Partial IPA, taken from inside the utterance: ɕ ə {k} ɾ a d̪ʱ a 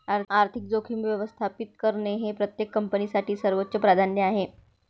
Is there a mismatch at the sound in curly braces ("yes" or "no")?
yes